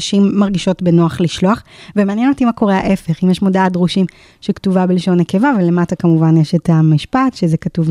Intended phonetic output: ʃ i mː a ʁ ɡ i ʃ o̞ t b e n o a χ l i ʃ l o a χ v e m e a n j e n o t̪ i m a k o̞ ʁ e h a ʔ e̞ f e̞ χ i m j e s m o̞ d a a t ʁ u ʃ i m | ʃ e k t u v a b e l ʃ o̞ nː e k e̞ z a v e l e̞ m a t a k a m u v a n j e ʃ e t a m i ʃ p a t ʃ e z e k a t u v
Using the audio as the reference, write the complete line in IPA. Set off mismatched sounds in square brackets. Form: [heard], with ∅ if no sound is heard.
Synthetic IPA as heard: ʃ i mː a ʁ ɡ i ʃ o̞ t b e n o a χ l i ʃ l o a χ v e m e a n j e n o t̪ i m a k o̞ ʁ e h a ʔ e̞ f e̞ χ i m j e [ʃ] m o̞ d a a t ʁ u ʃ i m | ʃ e k t u v a b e l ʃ o̞ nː e k e̞ [v] a v e l e̞ m a t a k a m u v a n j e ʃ e t a m i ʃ p a t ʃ e z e k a t u v